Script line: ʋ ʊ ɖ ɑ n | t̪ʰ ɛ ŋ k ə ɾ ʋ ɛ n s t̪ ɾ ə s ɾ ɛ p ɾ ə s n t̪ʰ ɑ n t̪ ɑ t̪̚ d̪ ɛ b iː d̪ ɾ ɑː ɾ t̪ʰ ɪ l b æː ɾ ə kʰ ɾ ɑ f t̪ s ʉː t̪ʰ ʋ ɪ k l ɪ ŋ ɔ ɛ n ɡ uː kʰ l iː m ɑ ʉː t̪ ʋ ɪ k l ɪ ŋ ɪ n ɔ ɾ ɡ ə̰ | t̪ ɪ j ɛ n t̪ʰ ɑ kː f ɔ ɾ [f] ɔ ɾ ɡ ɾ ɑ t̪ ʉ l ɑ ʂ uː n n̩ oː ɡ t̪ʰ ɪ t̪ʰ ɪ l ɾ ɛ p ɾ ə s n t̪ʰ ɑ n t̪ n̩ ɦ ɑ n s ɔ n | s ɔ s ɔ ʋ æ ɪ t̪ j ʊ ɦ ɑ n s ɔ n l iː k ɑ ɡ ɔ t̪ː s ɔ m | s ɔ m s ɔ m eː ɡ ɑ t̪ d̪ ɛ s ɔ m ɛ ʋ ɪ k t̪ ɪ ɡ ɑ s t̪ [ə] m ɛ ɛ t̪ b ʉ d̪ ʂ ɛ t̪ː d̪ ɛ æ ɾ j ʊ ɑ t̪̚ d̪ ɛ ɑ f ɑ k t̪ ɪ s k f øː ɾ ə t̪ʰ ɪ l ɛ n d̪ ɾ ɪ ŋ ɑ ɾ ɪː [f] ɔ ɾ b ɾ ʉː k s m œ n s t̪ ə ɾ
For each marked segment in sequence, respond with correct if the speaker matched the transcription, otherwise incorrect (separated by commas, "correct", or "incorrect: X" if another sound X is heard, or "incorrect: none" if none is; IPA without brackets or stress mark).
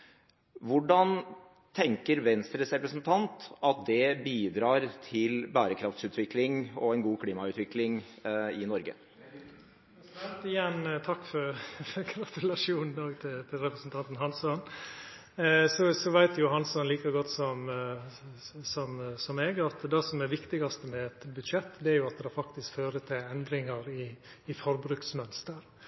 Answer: correct, correct, correct